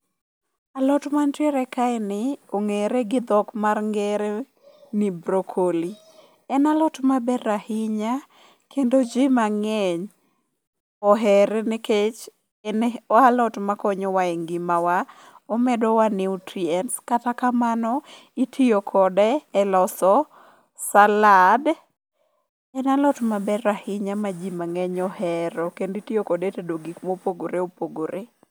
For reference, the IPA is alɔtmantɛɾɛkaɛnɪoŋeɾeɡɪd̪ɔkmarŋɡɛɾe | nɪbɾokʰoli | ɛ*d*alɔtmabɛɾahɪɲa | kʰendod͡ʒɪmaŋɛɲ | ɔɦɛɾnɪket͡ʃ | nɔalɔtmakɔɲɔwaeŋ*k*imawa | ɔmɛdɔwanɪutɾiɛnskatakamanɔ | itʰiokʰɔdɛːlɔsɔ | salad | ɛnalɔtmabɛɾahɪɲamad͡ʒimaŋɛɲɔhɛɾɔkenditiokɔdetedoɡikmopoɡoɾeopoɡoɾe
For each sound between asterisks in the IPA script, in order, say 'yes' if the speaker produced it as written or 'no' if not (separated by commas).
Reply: no, no